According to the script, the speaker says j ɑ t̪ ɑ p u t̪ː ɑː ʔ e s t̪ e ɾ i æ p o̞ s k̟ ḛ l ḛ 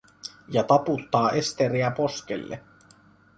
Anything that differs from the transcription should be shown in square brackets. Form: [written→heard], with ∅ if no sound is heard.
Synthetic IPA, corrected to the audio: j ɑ t̪ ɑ p u t̪ː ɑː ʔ e s t̪ e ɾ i æ p o̞ s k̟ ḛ [l→lː] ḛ